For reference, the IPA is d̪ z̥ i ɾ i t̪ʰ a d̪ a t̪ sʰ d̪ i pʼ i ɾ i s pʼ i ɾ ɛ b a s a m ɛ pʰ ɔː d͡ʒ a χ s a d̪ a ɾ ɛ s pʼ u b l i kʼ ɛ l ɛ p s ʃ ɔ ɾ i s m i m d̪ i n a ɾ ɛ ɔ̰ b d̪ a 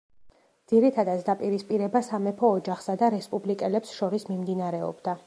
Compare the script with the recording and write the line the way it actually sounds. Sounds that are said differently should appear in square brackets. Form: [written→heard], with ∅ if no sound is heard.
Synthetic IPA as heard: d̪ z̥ i ɾ i t̪ʰ a d̪ a t̪ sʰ d̪ [i→a] pʼ i ɾ i s pʼ i ɾ ɛ b a s a m ɛ pʰ ɔː d͡ʒ a χ s a d̪ a ɾ ɛ s pʼ u b l i kʼ ɛ l ɛ p s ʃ ɔ ɾ i s m i m d̪ i n a ɾ ɛ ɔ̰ b d̪ a